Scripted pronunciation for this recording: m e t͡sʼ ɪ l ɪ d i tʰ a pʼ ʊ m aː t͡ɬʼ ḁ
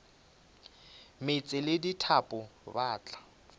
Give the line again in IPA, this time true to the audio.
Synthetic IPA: m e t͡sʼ ɪ l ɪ d i tʰ a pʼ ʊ b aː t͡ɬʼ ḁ